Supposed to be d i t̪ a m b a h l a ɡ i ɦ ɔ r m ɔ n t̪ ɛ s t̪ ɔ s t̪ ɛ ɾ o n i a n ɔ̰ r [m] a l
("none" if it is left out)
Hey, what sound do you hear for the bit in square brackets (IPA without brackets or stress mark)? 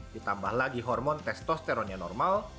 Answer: m